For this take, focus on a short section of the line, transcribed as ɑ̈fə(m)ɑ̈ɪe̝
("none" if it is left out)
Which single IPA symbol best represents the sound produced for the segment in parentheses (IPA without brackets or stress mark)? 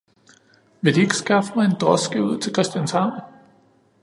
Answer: m